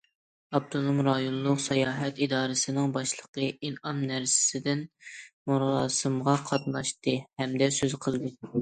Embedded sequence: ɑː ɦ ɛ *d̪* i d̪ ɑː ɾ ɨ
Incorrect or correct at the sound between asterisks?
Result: incorrect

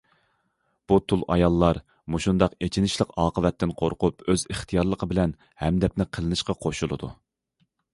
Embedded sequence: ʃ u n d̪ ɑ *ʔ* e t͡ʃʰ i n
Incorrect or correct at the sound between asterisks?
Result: incorrect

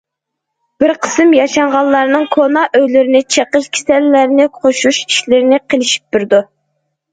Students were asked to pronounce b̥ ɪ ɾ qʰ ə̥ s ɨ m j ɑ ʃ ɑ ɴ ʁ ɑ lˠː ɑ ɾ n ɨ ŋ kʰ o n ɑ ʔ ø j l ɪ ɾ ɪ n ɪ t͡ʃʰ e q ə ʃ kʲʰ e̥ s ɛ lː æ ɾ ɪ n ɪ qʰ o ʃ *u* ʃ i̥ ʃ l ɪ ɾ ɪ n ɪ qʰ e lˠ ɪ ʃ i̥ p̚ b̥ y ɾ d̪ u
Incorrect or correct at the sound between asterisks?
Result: correct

